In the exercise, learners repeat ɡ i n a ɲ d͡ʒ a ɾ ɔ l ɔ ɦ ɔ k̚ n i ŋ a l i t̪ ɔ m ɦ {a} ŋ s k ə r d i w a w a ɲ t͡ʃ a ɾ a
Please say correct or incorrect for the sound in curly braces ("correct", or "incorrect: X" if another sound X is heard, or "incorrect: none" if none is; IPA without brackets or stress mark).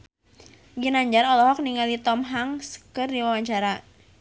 correct